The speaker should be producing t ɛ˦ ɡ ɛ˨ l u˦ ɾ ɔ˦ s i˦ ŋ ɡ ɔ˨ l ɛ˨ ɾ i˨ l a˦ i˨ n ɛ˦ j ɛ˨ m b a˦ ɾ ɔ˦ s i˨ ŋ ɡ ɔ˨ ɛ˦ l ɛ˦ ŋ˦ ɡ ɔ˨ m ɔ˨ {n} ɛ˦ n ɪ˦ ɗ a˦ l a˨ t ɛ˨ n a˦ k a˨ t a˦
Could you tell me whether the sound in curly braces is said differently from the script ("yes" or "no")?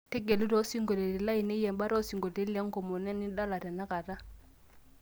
no